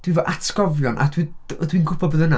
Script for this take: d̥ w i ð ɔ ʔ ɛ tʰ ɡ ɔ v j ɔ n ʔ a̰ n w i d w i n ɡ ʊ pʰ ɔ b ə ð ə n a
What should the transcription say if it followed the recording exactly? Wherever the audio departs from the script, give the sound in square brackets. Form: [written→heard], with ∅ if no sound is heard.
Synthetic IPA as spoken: d̥ w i [ð→v] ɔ ʔ [ɛ→a] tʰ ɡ ɔ v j ɔ n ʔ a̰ [n→d] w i d w i n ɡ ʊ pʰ ɔ b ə ð ə n a